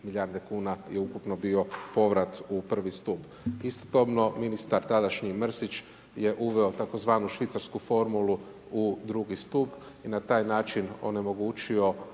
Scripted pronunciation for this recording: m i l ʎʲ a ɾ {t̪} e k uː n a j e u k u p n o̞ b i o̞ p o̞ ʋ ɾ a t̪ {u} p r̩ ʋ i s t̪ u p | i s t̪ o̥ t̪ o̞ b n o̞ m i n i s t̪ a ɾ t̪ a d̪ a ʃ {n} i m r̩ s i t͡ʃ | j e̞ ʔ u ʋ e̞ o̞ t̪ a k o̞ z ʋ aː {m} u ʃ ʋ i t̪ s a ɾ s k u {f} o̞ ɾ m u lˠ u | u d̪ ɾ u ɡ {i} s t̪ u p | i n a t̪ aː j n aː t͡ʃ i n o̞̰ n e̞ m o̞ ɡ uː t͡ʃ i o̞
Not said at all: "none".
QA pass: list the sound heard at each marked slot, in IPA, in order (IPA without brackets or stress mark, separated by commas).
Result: d̪, u, ɲ, n, f, i